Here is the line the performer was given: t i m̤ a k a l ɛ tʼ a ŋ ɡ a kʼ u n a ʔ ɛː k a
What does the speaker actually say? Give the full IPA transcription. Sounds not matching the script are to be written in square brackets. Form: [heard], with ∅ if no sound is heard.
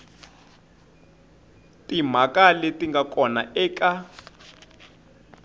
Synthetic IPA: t i m̤ a k a l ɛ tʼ [i] ŋ ɡ a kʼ [ɔ] n a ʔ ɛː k a